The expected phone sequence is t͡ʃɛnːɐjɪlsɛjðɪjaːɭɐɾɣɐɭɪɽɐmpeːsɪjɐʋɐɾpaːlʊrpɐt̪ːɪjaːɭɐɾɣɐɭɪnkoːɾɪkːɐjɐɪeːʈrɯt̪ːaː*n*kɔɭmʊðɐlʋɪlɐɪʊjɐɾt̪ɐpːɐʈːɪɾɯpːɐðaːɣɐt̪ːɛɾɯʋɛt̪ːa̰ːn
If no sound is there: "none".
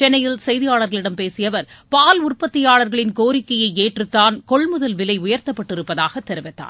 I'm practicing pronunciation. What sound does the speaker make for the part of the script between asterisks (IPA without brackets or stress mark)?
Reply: n